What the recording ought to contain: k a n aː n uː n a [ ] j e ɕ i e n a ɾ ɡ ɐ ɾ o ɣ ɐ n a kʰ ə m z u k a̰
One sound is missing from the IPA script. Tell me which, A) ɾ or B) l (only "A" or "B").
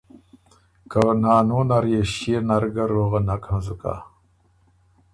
A